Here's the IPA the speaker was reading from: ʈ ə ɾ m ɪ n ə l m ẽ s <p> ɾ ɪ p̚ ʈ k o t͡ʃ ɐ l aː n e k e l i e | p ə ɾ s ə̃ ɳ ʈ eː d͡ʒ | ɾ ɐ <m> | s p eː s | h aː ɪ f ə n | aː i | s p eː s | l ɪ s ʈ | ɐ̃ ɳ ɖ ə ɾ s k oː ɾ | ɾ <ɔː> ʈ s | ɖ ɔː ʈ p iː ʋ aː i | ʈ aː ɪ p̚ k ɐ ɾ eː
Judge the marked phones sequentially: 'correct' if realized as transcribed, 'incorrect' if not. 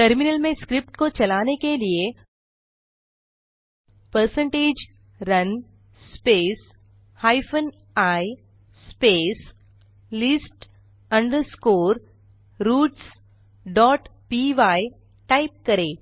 incorrect, incorrect, incorrect

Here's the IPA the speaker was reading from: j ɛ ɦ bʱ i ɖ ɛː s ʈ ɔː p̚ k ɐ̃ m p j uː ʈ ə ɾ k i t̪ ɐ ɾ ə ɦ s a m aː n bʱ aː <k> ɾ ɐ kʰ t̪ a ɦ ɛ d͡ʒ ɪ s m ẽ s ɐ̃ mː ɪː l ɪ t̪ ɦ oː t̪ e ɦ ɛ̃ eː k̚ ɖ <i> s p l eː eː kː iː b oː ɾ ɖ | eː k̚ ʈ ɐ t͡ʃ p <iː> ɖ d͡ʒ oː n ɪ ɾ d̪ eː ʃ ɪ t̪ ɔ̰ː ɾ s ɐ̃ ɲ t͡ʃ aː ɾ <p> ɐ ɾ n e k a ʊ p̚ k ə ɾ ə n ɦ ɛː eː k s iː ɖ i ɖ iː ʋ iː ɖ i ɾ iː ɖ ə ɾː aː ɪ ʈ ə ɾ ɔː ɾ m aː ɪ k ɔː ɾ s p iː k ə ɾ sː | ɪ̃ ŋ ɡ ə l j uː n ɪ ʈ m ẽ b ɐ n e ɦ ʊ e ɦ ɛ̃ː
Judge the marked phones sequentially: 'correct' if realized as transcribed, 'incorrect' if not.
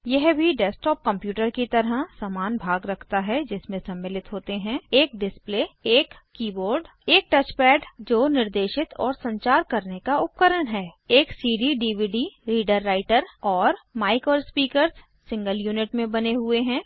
incorrect, incorrect, incorrect, incorrect

